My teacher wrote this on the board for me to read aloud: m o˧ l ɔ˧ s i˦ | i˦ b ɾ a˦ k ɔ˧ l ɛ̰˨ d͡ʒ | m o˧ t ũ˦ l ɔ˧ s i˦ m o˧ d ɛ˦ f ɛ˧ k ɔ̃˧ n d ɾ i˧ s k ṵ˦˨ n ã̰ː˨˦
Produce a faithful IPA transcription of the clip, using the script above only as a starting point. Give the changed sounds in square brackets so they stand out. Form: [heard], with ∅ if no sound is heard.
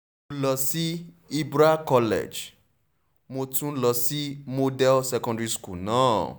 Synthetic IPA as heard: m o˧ l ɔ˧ s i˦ | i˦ b ɾ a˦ k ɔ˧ l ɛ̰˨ d͡ʒ | m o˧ t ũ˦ l ɔ˧ s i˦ m o˧ d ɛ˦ [s] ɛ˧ k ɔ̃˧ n d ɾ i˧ s k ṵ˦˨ n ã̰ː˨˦